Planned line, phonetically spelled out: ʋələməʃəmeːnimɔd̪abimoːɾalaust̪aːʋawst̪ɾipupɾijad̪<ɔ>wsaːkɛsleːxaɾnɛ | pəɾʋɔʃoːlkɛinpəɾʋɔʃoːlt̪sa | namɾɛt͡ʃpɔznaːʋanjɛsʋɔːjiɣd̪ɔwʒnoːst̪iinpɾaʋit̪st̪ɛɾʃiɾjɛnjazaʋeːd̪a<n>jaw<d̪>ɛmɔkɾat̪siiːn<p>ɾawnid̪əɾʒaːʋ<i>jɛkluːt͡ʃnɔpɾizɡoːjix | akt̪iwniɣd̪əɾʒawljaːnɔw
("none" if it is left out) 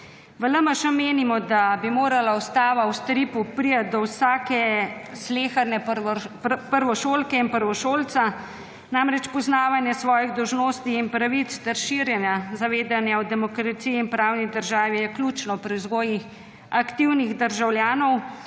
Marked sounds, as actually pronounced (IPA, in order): ɔ, n, d̪, p, i

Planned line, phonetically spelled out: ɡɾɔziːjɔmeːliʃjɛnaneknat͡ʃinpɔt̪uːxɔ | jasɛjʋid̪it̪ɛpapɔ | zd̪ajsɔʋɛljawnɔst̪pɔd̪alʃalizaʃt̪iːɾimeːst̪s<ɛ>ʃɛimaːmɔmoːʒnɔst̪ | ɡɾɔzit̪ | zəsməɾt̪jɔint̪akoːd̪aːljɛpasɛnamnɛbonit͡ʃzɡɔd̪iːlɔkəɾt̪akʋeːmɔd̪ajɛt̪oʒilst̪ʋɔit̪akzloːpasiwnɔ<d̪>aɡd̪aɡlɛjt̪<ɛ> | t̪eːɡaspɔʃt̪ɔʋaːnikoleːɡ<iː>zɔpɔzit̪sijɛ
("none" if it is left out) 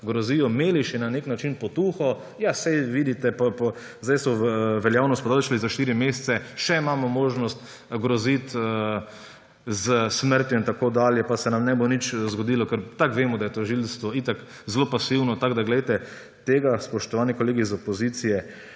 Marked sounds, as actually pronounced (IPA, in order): ɛ, t̪, ɛ, i

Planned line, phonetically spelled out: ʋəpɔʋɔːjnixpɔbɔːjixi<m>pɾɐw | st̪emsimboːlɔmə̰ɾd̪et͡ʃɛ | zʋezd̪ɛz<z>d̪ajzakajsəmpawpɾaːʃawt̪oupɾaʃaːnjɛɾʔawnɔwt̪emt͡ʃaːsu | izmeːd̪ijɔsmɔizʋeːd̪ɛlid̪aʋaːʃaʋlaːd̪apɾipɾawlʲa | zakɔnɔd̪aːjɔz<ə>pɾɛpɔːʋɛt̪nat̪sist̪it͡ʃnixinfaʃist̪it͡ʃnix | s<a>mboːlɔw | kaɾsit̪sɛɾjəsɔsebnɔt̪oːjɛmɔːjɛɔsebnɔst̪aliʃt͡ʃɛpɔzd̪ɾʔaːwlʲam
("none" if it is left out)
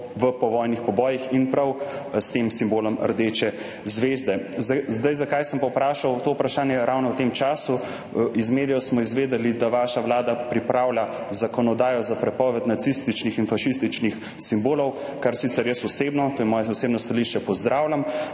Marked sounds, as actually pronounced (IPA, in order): n, z, a, i

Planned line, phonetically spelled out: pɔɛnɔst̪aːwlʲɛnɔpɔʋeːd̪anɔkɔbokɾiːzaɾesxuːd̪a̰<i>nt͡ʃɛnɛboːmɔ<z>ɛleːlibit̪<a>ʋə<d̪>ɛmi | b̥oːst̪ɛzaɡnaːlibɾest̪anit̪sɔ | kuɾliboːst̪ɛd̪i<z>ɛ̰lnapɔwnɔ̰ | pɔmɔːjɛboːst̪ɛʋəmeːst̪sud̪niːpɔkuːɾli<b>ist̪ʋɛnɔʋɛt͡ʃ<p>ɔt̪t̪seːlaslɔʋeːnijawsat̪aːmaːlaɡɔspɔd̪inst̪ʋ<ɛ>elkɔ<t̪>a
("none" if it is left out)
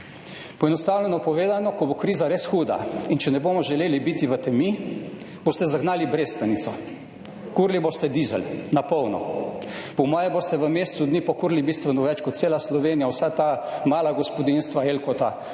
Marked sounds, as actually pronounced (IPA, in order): i, ʒ, i, t̪, z, b, k, a, t̪

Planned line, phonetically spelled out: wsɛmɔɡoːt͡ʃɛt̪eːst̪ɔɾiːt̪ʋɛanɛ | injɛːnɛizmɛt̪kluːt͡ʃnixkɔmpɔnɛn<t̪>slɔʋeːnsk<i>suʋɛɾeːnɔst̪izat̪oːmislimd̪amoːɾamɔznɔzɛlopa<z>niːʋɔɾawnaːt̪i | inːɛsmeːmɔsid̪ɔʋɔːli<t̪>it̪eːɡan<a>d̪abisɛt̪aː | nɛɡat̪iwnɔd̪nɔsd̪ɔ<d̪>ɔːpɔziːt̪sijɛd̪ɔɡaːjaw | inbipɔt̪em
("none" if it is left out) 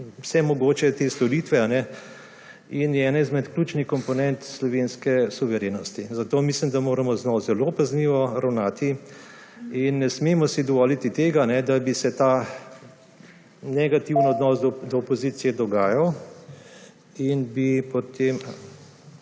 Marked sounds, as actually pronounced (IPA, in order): t̪, ɛ, z, t̪, ɛ, d̪

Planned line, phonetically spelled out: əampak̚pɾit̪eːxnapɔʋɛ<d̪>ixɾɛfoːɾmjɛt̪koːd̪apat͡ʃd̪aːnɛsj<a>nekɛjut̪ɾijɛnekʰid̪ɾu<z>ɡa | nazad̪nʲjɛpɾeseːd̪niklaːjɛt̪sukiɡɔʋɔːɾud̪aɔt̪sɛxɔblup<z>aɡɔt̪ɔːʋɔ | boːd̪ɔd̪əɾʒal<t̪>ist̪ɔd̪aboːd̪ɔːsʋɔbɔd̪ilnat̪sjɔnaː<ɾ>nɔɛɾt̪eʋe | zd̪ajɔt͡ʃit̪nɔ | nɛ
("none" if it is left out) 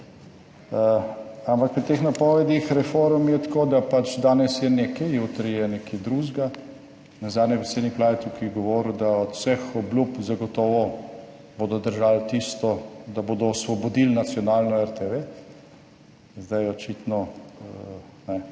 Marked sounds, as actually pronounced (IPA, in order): d̪, ɛ, ʒ, z, t̪, l

